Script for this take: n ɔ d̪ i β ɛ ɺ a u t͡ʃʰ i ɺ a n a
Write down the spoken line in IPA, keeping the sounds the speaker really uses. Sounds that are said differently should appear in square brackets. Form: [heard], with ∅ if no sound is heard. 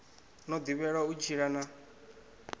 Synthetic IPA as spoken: n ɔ d̪ i β ɛ ɺ a u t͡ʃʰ i ɺ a n a